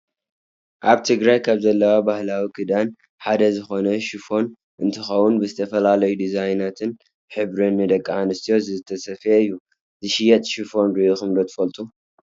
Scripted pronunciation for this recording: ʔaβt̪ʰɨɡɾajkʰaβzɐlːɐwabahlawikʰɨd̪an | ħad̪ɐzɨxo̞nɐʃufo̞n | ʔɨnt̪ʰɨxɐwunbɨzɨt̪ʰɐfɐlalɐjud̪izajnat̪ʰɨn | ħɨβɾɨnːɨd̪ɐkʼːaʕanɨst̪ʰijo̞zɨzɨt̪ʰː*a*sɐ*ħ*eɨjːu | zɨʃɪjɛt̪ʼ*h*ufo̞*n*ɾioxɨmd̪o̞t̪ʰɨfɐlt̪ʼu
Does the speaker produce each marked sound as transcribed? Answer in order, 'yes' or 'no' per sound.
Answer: no, no, no, yes

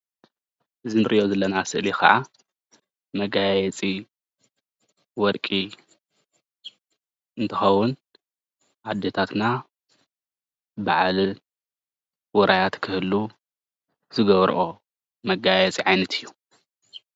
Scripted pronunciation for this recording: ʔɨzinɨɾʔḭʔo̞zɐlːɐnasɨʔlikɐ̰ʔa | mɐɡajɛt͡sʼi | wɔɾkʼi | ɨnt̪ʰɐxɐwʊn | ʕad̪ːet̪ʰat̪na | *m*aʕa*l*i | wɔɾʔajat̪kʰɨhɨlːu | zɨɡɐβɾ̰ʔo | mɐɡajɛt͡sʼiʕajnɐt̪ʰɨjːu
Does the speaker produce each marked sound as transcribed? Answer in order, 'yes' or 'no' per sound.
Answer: no, yes

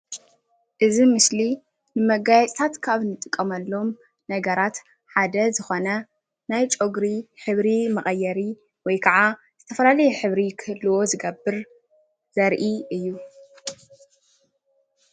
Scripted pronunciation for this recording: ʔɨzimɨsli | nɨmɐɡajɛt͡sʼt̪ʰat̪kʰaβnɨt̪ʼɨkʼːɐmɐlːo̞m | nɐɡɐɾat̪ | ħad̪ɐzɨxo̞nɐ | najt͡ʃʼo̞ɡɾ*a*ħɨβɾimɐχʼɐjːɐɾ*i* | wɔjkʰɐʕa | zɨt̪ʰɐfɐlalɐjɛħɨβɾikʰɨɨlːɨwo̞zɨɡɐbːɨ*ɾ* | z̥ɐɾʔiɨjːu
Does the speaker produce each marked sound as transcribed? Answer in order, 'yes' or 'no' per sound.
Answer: no, yes, yes

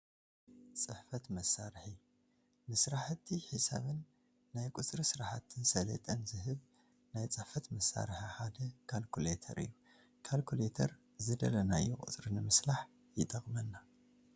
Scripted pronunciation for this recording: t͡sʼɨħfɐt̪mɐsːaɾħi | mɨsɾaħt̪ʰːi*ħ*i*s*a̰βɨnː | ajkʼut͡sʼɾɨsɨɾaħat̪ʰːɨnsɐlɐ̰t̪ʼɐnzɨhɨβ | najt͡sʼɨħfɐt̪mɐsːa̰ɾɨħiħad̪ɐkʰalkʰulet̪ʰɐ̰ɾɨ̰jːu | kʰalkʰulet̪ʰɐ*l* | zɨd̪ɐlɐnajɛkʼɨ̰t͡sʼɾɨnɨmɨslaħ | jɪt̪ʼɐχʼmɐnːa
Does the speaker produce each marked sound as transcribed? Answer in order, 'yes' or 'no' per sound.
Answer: yes, yes, no

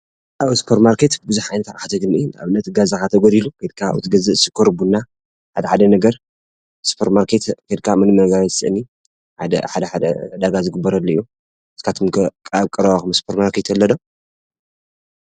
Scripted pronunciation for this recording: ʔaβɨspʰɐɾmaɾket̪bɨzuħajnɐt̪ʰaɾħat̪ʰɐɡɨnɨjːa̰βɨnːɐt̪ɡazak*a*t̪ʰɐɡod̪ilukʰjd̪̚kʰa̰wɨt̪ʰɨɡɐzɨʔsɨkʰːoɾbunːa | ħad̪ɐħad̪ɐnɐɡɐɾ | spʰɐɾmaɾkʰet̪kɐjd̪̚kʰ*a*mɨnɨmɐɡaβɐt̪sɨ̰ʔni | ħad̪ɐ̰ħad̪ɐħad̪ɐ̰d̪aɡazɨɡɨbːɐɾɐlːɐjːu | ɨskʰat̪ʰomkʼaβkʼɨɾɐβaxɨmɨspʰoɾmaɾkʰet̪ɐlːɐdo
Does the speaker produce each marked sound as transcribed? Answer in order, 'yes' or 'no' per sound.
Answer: yes, yes

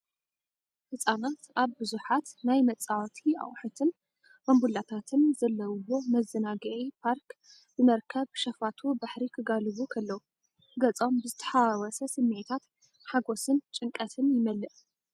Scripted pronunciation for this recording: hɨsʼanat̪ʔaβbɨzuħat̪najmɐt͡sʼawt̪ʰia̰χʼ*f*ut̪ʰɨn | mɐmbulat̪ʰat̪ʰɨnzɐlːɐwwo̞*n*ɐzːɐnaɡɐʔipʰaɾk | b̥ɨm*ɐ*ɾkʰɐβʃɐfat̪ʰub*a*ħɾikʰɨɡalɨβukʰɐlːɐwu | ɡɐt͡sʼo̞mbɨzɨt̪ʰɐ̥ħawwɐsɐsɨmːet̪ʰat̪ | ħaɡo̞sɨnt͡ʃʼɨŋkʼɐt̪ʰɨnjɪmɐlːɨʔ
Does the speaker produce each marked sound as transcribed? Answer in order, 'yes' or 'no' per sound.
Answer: no, no, yes, yes

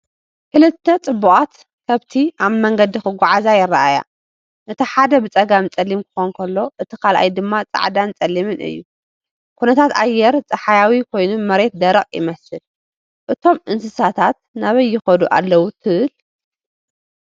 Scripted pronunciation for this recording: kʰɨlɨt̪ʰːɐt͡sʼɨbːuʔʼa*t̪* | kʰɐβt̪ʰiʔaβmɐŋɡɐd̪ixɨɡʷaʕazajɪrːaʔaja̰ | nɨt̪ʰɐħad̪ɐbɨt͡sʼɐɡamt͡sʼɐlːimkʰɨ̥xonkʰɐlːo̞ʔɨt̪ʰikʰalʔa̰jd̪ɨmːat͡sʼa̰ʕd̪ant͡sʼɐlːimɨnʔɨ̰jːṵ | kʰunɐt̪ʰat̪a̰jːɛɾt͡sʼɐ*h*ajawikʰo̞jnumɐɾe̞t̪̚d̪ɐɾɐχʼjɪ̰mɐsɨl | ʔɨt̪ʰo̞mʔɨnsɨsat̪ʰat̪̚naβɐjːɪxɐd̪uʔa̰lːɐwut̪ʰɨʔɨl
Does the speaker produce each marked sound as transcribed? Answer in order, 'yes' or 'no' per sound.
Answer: yes, no

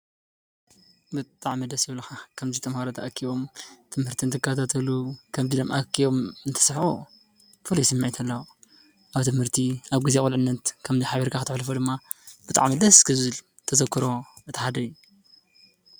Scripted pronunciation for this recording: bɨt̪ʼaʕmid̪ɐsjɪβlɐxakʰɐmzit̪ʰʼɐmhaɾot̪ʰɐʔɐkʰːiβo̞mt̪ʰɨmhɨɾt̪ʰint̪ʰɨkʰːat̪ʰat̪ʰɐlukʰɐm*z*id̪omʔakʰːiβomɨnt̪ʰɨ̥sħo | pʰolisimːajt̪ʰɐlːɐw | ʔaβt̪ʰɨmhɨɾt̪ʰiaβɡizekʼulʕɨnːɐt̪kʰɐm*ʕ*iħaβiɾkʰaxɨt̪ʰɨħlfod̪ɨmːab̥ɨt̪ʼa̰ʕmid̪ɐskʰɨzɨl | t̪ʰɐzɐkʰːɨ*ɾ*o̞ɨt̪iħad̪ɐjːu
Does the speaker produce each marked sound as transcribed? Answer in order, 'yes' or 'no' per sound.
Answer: yes, no, yes

